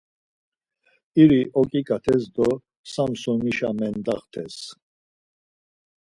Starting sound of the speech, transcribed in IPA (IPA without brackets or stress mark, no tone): i